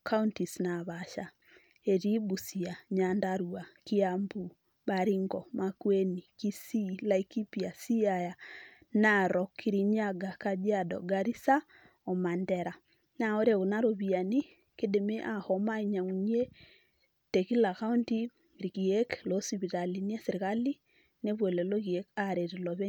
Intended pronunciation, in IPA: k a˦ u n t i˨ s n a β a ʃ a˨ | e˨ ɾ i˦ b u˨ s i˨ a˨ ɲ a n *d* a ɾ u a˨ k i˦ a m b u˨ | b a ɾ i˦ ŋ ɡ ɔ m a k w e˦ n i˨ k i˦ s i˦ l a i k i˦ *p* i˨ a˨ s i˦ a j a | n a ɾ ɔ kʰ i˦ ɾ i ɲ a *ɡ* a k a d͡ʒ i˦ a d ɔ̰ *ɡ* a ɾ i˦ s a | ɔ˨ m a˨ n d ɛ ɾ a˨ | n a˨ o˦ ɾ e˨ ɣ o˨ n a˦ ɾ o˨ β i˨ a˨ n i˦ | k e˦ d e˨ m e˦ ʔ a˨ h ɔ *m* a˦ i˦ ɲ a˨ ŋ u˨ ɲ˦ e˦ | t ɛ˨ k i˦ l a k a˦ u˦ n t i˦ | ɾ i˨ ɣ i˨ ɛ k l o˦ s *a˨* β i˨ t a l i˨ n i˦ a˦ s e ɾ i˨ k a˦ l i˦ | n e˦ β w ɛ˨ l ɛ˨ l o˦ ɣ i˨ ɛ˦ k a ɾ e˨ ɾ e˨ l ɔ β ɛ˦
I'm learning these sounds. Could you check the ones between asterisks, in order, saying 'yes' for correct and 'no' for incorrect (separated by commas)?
yes, yes, yes, yes, yes, no